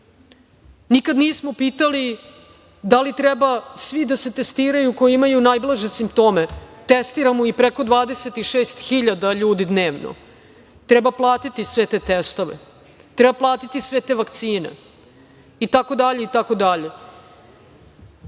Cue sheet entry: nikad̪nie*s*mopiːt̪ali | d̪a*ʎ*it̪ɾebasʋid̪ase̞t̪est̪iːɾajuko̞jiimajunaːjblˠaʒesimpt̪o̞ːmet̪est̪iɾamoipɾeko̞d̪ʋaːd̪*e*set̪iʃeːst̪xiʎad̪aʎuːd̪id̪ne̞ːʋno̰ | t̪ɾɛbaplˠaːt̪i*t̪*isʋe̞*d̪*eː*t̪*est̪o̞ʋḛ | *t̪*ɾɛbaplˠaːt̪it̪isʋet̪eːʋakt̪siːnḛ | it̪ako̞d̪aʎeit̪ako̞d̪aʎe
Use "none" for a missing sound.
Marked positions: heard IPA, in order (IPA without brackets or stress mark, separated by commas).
s, l, e, t̪, t̪, t̪, t̪